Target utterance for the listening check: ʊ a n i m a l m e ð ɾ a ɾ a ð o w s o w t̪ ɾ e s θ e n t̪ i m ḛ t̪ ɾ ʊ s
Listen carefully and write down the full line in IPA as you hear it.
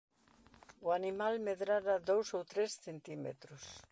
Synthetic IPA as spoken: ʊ a n i m a l m e ð ɾ a ɾ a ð o w s o w t̪ ɾ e s θ e n t̪ i m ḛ t̪ ɾ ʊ s